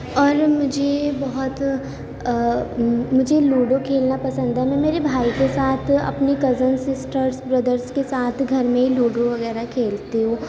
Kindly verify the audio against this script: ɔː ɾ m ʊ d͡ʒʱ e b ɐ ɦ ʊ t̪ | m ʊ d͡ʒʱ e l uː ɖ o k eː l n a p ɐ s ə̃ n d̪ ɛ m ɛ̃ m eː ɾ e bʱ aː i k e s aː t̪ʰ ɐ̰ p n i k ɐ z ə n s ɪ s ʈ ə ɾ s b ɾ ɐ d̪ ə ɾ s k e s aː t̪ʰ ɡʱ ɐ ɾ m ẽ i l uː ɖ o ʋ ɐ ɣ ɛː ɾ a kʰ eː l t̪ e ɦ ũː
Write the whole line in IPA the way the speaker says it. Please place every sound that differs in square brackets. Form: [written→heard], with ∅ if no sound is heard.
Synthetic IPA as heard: ɔː ɾ m ʊ d͡ʒʱ e b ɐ ɦ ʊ t̪ | m ʊ d͡ʒʱ e l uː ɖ o [k→kʰ] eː l n a p ɐ s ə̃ n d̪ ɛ m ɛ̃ m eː ɾ e bʱ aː i k e s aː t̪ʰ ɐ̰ p n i k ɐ z ə n s ɪ s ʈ ə ɾ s b ɾ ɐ d̪ ə ɾ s k e s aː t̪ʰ ɡʱ ɐ ɾ m ẽ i l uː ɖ o ʋ ɐ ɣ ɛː ɾ a kʰ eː l t̪ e ɦ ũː